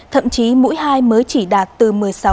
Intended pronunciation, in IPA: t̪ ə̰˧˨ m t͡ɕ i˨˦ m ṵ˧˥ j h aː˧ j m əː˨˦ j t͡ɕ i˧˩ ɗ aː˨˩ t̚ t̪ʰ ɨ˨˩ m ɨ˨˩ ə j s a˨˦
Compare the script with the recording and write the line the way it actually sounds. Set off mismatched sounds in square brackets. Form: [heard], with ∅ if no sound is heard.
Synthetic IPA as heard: [t̪ʰ] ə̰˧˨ m t͡ɕ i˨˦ m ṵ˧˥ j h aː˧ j m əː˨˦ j t͡ɕ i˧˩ ɗ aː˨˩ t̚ [t̪] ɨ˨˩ m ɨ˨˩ ə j s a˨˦